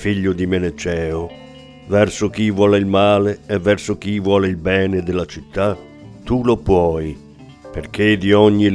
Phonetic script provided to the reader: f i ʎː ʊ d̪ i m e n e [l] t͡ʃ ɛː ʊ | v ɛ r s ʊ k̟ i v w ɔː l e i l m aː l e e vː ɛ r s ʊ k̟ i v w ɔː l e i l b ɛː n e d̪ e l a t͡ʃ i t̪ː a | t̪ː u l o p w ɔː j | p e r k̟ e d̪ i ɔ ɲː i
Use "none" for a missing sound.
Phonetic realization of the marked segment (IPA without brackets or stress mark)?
none